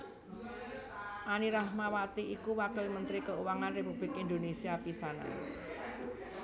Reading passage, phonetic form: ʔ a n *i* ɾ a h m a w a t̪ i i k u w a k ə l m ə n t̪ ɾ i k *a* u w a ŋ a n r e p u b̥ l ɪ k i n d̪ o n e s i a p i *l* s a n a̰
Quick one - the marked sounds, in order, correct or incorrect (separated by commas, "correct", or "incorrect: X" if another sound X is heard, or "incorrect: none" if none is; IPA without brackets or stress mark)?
correct, incorrect: ə, incorrect: none